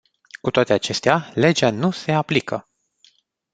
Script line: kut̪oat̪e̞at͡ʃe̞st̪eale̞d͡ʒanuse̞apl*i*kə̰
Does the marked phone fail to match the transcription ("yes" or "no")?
no